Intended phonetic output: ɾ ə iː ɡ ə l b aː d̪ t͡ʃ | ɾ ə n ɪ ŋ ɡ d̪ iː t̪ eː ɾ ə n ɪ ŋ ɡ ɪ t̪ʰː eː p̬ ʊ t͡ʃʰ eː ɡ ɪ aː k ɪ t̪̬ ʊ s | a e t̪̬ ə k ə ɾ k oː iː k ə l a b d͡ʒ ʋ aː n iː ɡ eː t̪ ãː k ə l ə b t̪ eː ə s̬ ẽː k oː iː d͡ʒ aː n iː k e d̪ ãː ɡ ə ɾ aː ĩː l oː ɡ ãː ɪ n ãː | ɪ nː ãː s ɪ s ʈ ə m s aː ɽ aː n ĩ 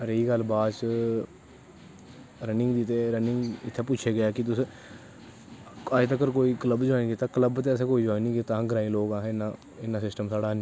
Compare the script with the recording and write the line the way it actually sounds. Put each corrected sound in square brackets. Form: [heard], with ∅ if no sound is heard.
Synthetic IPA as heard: ɾ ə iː ɡ ə l b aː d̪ t͡ʃ | ɾ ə n ɪ ŋ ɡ d̪ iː t̪ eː ɾ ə n ɪ ŋ ɡ ɪ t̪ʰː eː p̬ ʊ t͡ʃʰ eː ɡ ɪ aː k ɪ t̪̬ ʊ s | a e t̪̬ ə k ə ɾ k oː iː k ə l [ə] b d͡ʒ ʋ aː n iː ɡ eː t̪ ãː k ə l ə b t̪ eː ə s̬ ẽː k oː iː d͡ʒ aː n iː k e [t̪] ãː ɡ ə ɾ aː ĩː l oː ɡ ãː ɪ n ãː | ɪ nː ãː s ɪ s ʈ ə m s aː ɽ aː n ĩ